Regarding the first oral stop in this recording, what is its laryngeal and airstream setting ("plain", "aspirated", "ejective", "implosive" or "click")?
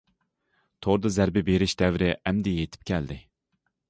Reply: aspirated